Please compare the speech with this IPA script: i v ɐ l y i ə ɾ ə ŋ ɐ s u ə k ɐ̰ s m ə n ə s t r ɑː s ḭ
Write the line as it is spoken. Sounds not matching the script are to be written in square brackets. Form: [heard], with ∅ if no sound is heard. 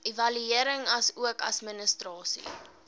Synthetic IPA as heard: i v ɐ l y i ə ɾ ə ŋ ɐ s u ə k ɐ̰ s m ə n ə s t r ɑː s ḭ